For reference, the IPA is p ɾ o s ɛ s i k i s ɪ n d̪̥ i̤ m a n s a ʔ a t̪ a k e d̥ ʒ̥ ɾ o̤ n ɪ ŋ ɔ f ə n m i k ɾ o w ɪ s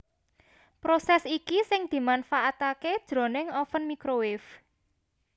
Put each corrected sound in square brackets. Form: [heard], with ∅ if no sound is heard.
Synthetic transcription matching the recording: p ɾ o s ɛ s i k i s ɪ [ŋ] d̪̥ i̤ m a n [f] a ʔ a t̪ a k e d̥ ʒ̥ ɾ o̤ n ɪ ŋ ɔ f ə n m i k ɾ o w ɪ [f]